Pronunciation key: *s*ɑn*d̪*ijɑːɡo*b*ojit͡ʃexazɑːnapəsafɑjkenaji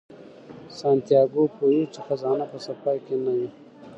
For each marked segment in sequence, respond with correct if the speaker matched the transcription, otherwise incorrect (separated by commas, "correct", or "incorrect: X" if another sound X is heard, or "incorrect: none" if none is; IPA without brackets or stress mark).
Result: correct, incorrect: t̪, incorrect: p